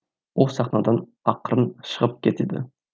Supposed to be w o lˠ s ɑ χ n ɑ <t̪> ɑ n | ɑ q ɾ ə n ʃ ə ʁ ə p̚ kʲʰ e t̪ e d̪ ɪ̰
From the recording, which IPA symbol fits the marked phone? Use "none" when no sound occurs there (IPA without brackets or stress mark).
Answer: d̪